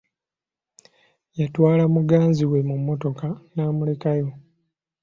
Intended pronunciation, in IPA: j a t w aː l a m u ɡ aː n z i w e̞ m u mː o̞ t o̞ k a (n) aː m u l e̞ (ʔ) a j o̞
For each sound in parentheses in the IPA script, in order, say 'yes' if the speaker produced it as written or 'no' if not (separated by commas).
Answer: yes, no